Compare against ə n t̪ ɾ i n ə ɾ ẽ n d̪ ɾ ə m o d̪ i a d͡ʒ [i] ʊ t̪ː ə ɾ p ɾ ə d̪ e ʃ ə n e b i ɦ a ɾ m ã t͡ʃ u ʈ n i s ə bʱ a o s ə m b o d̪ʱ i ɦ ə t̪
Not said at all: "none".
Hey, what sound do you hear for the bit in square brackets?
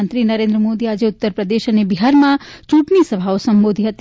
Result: e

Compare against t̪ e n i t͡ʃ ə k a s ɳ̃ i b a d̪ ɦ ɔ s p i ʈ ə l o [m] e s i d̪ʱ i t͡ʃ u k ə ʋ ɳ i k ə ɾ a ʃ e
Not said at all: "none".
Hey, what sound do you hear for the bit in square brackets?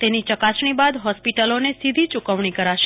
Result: n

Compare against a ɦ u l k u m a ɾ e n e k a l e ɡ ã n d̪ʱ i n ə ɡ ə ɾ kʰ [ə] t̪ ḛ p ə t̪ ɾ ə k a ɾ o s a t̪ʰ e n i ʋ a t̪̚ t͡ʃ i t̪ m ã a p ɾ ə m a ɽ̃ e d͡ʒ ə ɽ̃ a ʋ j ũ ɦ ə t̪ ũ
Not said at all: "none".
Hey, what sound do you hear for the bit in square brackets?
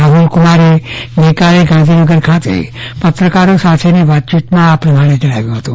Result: a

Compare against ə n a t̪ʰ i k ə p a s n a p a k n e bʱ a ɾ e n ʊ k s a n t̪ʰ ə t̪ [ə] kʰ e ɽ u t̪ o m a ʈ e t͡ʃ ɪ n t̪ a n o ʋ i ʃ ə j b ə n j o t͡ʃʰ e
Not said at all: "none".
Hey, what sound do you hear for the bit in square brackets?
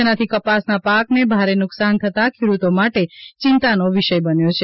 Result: a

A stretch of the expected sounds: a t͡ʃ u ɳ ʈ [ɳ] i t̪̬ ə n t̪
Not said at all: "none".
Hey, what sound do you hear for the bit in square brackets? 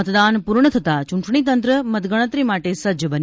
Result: ɳ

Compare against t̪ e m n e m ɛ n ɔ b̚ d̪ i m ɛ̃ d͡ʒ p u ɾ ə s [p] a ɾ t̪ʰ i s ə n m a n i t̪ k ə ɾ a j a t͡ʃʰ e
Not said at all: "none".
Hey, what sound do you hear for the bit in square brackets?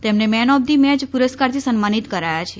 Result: k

